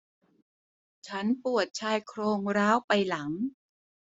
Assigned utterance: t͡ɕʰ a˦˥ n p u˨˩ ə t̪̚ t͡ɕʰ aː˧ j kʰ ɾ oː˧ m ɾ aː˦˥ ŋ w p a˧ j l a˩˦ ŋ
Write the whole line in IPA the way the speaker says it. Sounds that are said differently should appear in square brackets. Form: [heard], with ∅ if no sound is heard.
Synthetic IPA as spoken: t͡ɕʰ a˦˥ n p u˨˩ ə t̪̚ t͡ɕʰ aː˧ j kʰ ɾ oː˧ [ŋ] ɾ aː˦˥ [∅] w p a˧ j l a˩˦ ŋ